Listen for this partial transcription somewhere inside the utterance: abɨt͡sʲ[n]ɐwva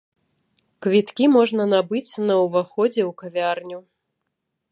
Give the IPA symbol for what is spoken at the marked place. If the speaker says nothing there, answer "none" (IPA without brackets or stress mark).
n